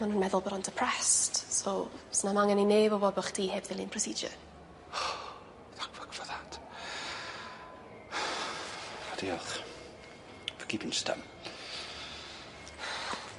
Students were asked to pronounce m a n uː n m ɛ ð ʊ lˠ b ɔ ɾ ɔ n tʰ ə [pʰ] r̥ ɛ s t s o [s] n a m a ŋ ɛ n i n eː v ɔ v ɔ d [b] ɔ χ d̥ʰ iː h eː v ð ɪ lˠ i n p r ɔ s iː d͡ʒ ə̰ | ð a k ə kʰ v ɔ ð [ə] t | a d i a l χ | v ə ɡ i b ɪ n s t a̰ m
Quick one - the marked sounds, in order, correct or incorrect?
correct, correct, correct, incorrect

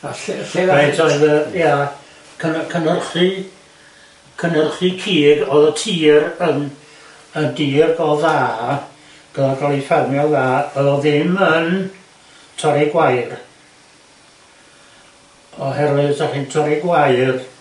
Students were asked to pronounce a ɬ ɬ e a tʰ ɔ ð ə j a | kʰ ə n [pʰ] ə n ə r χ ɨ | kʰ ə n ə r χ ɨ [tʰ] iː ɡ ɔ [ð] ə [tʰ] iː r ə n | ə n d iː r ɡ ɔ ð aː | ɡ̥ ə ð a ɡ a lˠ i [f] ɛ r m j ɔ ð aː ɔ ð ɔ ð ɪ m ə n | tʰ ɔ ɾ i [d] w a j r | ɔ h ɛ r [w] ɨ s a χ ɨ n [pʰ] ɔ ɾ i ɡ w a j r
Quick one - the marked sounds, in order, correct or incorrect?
incorrect, incorrect, correct, correct, correct, incorrect, correct, incorrect

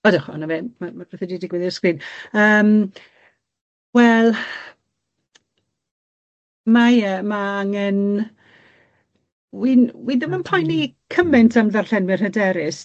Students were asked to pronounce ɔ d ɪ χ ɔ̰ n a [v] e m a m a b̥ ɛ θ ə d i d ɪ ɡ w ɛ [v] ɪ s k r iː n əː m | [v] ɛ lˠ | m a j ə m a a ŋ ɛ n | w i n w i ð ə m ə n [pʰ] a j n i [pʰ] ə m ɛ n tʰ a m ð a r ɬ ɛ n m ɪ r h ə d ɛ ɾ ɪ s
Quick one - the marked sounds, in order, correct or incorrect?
correct, incorrect, incorrect, correct, incorrect

